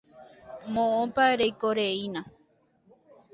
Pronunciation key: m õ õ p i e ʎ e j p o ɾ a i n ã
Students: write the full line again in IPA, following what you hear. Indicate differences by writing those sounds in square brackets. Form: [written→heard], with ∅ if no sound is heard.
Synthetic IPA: m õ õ p [i→a] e [ʎ→ɾ] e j [p→k] o ɾ [a→e] i n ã

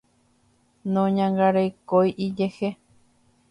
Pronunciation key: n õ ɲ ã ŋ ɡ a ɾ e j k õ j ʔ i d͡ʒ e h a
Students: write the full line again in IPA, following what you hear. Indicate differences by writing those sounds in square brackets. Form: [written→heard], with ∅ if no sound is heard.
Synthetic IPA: n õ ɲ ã ŋ ɡ a ɾ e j k [õ→o] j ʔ i d͡ʒ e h [a→e]

